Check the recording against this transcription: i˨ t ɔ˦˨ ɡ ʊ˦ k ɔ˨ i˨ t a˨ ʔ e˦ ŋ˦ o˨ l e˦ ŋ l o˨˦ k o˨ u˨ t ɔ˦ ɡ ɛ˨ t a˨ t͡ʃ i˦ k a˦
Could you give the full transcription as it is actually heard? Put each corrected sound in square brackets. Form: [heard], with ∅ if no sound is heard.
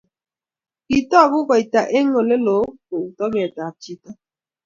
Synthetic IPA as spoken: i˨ t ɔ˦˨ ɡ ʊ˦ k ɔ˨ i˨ t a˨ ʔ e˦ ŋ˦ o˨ l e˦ [∅] l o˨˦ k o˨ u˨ t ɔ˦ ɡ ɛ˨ t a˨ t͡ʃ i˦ [t] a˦